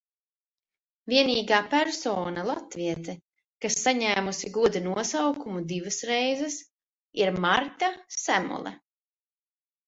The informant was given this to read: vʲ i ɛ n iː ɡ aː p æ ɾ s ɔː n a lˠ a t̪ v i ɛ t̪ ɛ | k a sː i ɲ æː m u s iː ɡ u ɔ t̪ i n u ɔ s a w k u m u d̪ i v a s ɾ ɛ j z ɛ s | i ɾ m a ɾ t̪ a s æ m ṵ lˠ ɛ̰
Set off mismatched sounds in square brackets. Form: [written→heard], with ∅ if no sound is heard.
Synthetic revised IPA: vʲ i ɛ n iː ɡ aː p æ ɾ s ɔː n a lˠ a t̪ v i ɛ t̪ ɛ | k a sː [i→a] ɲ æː m u s [iː→i] ɡ u ɔ [t̪→d̪] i n u ɔ s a w k u m u d̪ i v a s ɾ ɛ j z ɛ s | i ɾ m a ɾ t̪ a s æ m ṵ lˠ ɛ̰